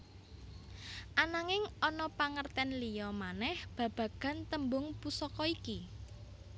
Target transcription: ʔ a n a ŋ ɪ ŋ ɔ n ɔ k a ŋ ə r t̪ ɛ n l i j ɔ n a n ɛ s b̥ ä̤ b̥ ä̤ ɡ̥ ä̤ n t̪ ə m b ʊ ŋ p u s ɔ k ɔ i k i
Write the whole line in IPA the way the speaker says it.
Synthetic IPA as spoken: ʔ a n a ŋ ɪ ŋ ɔ n ɔ p a ŋ ə r t̪ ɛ n l i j ɔ m a n ɛ h b̥ ä̤ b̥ ä̤ ɡ̥ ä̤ n t̪ ə m b ʊ ŋ p u s ɔ k ɔ i k i